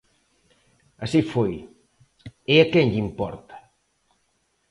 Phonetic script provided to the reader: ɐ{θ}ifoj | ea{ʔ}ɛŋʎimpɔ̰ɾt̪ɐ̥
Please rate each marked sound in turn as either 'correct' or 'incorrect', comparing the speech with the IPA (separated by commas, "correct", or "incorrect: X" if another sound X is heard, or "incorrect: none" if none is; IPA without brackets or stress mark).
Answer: incorrect: s, incorrect: k